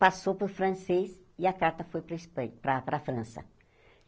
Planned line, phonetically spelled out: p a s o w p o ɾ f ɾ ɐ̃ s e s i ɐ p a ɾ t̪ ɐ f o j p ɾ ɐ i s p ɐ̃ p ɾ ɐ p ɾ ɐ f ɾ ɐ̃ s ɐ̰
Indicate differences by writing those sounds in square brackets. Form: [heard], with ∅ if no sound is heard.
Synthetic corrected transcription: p a s o w p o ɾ f ɾ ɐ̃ s e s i ɐ [k] a ɾ t̪ ɐ f o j p ɾ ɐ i s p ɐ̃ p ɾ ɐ p ɾ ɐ f ɾ ɐ̃ s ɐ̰